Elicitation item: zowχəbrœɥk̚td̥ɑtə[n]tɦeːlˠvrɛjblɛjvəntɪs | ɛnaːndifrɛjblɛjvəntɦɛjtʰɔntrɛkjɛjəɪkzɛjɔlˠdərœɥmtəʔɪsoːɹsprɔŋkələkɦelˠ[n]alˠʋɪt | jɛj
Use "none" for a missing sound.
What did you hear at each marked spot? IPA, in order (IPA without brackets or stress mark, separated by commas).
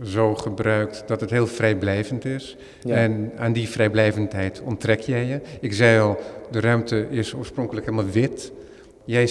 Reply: none, m